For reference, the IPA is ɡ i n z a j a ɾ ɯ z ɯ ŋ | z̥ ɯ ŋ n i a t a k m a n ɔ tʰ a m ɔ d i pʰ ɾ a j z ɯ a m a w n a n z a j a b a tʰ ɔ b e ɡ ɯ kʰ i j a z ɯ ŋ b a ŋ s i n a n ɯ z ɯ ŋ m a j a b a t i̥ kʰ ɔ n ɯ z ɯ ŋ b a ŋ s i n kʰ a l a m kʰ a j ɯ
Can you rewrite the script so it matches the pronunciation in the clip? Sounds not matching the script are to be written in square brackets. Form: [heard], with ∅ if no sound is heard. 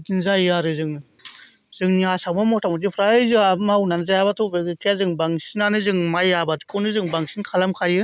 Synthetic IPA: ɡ i n z a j a ɾ ɯ z ɯ ŋ | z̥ ɯ ŋ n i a [s] a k m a [m] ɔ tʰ a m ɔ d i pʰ ɾ a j z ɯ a m a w n a n z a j a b a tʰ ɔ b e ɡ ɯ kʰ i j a z ɯ ŋ b a ŋ s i n a n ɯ z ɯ ŋ m a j a b a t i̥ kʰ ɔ n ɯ z ɯ ŋ b a ŋ s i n kʰ a l a m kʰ a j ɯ